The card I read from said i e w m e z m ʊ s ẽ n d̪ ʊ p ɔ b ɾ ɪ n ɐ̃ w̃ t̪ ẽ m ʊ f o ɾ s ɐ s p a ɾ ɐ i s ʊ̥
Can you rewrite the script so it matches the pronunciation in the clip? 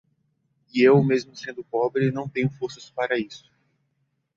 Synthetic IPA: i e w m e z m ʊ s ẽ n d̪ ʊ p ɔ b ɾ ɪ n ɐ̃ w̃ t̪ ẽ ɲ ʊ f o ɾ s ɐ s p a ɾ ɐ i s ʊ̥